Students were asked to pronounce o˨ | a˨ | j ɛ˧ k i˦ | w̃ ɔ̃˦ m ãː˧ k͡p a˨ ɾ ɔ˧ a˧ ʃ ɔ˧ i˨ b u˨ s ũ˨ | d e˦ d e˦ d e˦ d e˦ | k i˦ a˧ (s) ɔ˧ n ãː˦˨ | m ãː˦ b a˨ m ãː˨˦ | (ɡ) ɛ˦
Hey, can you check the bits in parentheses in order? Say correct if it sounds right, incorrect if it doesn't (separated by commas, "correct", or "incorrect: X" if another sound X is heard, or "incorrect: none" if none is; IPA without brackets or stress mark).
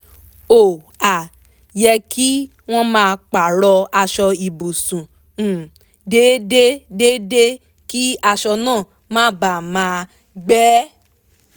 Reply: incorrect: ʃ, incorrect: ɡ͡b